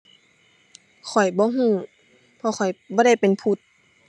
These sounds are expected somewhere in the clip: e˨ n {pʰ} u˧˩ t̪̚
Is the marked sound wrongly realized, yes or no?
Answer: no